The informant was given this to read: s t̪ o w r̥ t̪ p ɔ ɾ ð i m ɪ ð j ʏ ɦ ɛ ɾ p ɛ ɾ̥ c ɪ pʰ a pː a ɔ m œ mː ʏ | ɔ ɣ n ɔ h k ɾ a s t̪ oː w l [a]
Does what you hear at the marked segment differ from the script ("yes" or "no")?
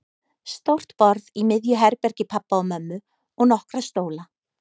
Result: no